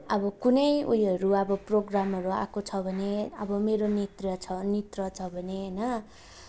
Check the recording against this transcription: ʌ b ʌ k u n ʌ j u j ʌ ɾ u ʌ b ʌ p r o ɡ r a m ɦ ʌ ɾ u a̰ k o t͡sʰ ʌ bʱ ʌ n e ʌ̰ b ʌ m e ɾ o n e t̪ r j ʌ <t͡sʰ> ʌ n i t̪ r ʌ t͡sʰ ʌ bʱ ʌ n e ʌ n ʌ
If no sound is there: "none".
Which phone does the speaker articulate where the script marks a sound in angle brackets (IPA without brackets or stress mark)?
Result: t͡sʰ